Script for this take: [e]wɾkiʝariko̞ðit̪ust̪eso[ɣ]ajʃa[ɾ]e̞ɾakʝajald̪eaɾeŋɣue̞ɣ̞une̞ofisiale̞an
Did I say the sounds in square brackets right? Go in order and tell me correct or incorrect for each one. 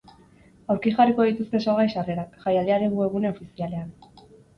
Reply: incorrect: a, correct, incorrect: r

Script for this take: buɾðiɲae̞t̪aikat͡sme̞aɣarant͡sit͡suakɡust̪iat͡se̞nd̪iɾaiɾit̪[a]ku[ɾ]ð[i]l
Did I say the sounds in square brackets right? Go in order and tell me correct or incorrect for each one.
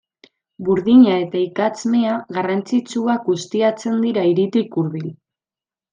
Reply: incorrect: i, correct, correct

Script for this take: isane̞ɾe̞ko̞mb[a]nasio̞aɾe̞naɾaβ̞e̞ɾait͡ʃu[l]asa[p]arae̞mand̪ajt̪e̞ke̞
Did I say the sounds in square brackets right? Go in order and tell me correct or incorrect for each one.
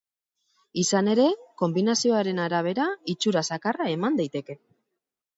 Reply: incorrect: i, incorrect: ɾ, incorrect: k

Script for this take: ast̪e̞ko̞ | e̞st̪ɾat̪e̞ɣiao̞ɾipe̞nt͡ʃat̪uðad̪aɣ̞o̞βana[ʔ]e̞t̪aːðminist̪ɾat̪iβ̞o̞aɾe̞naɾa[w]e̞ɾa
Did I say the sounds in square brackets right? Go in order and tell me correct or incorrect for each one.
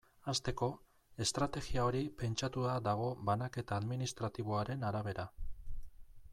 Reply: incorrect: k, incorrect: β

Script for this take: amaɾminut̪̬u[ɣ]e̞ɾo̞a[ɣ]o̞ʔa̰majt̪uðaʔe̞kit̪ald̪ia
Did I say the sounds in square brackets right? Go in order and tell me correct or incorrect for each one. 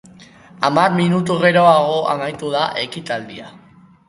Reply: correct, correct

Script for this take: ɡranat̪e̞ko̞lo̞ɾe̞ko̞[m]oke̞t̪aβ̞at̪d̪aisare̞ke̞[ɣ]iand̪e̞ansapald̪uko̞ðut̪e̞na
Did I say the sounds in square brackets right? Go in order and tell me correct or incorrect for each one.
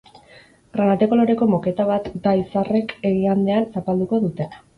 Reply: correct, correct

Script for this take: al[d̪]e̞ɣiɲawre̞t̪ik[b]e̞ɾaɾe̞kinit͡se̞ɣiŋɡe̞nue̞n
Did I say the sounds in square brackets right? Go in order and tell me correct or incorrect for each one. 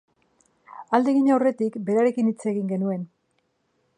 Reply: correct, correct

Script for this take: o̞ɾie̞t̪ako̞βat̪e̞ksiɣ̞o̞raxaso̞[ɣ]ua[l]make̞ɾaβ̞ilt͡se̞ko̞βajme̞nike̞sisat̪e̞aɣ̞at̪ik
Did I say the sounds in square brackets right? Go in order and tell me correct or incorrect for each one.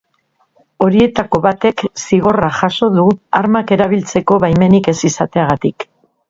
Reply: incorrect: ð, incorrect: ɾ

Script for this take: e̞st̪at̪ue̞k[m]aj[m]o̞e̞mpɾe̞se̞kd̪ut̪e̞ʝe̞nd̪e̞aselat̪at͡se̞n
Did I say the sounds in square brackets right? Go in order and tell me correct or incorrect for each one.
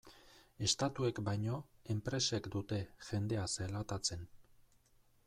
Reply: incorrect: b, incorrect: ɲ

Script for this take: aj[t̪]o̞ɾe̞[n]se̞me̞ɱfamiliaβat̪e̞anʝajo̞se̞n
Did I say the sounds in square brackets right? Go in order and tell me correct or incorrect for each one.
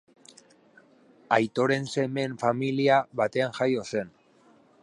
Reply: correct, correct

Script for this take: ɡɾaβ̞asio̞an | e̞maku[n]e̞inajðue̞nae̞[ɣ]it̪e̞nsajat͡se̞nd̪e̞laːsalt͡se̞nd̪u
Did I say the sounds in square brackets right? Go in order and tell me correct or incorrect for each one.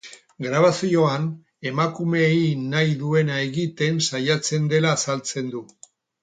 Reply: incorrect: m, correct

